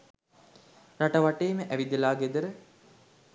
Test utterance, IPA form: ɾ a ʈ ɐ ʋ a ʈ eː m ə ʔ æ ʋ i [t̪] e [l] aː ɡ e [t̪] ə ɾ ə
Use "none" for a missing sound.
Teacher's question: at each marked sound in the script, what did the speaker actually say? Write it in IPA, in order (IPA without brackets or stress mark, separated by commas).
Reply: d̪, l, d̪